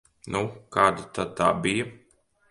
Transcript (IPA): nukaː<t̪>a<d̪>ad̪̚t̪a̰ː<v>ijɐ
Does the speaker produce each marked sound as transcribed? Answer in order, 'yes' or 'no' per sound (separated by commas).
no, no, no